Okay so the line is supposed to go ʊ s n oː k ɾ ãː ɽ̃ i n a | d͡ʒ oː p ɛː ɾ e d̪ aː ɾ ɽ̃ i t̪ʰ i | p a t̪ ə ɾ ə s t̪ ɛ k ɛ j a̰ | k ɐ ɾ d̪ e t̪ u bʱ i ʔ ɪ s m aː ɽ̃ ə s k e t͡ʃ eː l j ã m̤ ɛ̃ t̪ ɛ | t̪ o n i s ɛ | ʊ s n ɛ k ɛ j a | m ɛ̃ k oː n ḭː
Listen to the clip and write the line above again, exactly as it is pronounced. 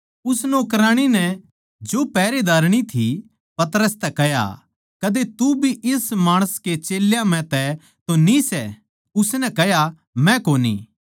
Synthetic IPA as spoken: ʊ s n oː k ɾ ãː ɽ̃ i n ɛ | d͡ʒ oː p ɛː ɾ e d̪ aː ɾ ɽ̃ i t̪ʰ i | p ɐ t̪ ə ɾ ə s t̪ ɛ k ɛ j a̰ | k ɐ d̪ e t̪ u bʱ i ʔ ɪ s m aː ɽ̃ ə s k e t͡ʃ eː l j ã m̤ ɛ̃ t̪ ɛ | t̪ o n i s ɛ | ʊ s n ɛ k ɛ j a | m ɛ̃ k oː n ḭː